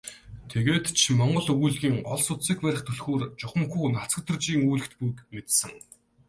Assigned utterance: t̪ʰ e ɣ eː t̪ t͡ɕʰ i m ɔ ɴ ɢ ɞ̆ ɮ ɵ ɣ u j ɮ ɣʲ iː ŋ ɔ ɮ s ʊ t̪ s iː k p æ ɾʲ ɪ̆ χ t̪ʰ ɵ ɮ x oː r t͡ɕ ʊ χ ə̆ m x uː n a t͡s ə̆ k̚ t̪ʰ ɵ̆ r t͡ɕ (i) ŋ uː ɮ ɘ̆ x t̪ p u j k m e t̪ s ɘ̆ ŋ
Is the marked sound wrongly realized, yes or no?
yes